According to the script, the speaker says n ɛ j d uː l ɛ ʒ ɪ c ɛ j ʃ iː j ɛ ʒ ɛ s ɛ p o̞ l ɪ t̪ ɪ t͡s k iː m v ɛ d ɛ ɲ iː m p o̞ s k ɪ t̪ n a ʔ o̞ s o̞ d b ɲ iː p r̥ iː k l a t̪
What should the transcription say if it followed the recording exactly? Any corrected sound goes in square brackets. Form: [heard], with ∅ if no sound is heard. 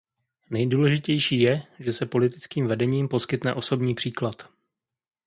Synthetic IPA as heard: n ɛ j d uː l ɛ ʒ ɪ c ɛ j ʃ iː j ɛ ʒ ɛ s ɛ p o̞ l ɪ t̪ ɪ t͡s k iː m v ɛ d ɛ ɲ iː m p o̞ s k ɪ t̪ n [ɛ] ʔ o̞ s o̞ [∅] b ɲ iː p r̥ iː k l a t̪